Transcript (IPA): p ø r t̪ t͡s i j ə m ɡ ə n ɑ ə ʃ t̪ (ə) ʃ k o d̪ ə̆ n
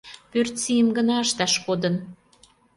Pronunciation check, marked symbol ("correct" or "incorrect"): incorrect